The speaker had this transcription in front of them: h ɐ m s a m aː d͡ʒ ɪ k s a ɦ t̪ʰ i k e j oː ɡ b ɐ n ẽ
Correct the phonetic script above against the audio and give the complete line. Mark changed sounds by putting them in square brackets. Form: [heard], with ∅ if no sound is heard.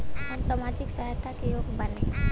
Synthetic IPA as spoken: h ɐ m s a m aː d͡ʒ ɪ k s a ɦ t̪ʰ [a] k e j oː ɡ b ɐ n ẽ